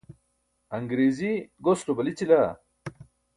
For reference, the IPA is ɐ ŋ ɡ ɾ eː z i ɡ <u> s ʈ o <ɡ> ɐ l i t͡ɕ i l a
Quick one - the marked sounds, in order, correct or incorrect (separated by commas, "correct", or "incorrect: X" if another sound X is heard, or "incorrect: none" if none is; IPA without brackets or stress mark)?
incorrect: o, incorrect: b